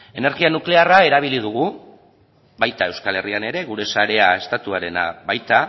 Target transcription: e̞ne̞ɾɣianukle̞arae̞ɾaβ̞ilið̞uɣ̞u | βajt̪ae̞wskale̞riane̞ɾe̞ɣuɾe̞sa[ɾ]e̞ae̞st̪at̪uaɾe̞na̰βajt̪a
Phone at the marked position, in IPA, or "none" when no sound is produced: ɾ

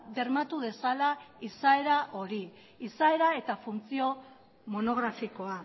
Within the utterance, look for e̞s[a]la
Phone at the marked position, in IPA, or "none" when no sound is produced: a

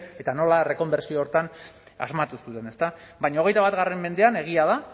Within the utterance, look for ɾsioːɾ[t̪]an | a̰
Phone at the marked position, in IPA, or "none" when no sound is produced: t̪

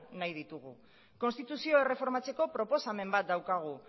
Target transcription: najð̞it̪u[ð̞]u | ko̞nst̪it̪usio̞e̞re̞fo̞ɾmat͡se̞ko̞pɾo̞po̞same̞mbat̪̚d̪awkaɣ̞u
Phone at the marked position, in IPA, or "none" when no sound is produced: ɣ̞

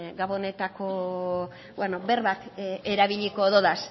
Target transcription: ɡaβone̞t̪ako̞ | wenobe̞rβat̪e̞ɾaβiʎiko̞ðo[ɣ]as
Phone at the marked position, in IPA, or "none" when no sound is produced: ð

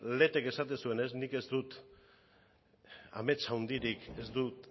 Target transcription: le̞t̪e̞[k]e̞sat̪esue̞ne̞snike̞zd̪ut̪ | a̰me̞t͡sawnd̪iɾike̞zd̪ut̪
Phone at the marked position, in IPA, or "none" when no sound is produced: k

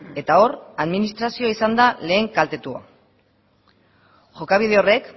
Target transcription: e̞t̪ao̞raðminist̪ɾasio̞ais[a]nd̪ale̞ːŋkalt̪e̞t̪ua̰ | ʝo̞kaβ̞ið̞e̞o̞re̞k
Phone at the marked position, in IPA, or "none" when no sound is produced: a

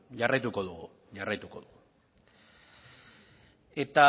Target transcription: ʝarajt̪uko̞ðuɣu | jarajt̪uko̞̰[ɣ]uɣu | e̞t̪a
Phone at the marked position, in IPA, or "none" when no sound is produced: ð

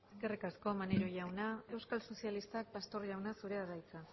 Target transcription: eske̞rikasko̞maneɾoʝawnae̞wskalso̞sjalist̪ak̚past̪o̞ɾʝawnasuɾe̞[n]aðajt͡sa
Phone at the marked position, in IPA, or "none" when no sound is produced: none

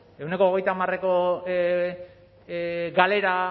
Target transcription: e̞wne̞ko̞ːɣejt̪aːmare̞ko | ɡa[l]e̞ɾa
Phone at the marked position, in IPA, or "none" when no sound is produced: l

